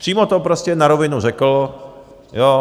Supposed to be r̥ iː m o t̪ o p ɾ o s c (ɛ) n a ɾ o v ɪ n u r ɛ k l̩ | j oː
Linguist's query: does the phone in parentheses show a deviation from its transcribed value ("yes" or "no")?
no